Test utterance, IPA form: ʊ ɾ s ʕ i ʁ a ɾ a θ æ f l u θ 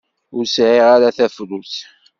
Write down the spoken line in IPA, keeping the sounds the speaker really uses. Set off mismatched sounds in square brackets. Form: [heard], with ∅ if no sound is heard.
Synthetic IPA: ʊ ɾ s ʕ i ʁ a ɾ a θ æ f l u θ